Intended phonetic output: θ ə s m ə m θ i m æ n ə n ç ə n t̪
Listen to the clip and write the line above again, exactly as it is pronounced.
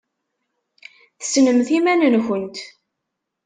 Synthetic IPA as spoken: θ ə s n ə m θ i m æ n ə n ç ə n t̪